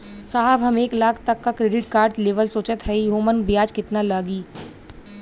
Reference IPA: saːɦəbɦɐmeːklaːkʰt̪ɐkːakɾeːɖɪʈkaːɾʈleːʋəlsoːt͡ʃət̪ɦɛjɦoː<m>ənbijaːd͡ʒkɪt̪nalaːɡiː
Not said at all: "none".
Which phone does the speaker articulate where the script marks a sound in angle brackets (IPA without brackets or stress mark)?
m